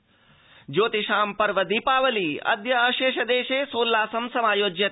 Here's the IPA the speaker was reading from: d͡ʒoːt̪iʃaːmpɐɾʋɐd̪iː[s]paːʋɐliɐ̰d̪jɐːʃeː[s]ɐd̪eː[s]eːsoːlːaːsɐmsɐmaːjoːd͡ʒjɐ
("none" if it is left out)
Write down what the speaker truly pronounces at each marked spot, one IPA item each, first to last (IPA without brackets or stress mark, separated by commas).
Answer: none, ʃ, ʃ